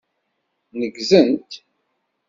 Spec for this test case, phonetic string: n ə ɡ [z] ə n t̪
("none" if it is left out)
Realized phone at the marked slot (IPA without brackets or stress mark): z